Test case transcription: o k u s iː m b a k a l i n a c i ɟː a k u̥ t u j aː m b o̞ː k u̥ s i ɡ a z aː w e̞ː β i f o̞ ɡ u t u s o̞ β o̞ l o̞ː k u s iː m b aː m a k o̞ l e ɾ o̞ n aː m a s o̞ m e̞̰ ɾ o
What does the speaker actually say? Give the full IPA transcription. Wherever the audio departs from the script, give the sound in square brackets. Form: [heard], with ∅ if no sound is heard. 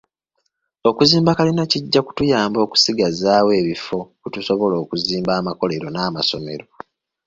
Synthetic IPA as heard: o k u [z] iː m b a k a l i n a c i ɟː a k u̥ t u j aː m b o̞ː k u̥ s i ɡ a z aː w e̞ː β i f o̞ [k] u t u s o̞ β o̞ l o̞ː k u [z] iː m b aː m a k o̞ l e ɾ o̞ n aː m a s o̞ m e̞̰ ɾ o